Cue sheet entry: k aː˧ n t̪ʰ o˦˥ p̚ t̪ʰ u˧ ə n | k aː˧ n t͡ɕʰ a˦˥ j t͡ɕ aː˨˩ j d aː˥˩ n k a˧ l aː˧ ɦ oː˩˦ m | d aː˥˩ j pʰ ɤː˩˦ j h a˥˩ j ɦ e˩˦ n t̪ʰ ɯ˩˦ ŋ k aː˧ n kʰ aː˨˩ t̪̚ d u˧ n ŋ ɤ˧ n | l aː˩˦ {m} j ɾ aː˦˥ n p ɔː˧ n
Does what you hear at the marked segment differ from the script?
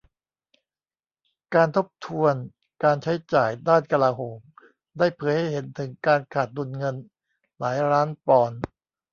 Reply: yes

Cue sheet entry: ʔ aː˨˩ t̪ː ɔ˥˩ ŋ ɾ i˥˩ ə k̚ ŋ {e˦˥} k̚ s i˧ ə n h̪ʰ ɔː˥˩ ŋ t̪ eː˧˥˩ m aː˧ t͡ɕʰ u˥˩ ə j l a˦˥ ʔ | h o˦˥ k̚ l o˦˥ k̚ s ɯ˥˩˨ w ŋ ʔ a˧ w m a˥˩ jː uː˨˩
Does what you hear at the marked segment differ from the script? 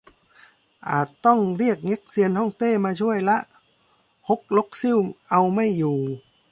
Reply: no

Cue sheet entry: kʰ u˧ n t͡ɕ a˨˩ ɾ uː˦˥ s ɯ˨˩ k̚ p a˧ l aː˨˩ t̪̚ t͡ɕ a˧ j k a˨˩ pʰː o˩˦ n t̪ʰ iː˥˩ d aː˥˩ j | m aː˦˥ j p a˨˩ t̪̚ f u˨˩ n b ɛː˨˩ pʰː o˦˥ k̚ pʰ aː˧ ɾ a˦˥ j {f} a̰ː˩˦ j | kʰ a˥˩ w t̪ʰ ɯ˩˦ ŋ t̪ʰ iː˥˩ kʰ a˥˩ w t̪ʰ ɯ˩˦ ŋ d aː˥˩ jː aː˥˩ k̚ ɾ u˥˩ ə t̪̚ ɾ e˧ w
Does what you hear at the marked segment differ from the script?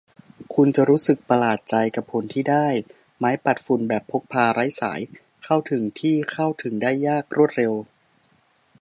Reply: yes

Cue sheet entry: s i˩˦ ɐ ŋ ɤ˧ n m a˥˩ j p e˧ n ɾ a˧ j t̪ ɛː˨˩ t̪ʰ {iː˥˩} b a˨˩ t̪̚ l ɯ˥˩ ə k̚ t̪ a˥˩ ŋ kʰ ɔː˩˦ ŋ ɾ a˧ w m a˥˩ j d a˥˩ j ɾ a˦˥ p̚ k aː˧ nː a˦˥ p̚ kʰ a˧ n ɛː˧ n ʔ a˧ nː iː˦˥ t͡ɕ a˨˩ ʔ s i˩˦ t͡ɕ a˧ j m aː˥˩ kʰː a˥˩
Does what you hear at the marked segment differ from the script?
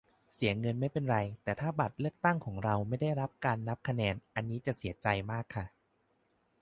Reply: yes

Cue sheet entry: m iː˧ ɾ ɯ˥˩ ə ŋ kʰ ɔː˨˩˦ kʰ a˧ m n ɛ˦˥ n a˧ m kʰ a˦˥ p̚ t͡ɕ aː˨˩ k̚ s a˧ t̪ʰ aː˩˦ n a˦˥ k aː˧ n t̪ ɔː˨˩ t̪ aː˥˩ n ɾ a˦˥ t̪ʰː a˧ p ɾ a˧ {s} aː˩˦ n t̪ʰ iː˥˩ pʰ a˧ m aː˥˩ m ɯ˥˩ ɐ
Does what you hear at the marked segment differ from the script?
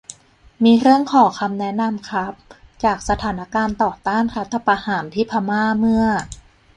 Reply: yes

